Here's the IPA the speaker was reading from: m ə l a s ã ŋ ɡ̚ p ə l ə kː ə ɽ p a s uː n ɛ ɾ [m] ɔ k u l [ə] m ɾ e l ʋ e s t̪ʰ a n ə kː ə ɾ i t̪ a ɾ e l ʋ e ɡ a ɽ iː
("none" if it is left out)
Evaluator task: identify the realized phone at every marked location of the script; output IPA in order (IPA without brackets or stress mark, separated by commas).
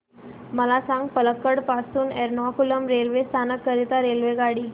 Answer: n, ə